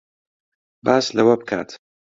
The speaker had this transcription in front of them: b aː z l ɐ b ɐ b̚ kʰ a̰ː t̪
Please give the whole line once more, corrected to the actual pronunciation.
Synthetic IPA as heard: b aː s l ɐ w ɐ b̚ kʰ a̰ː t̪